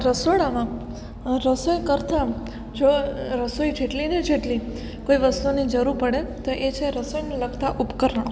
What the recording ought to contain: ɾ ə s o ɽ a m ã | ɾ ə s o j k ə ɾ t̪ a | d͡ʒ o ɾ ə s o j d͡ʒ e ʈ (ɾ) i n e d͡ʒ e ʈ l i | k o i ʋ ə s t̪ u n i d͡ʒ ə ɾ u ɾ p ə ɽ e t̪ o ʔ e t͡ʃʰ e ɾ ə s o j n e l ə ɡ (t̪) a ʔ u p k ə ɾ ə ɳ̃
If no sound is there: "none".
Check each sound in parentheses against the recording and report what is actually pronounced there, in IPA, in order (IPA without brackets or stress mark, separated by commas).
l, t̪